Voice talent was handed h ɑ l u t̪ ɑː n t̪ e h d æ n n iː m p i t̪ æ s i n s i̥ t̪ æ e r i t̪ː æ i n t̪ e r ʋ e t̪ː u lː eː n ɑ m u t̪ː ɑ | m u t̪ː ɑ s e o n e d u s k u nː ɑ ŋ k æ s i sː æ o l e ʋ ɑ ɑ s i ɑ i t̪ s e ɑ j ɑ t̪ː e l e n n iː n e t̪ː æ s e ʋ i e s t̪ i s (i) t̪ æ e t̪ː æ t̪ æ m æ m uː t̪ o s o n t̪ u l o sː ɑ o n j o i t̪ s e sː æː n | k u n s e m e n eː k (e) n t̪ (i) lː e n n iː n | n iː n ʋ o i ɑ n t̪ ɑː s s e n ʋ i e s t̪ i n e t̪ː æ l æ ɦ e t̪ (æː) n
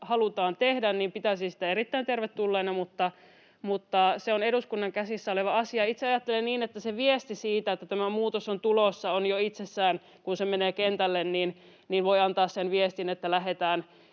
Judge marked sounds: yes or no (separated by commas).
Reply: no, yes, no, yes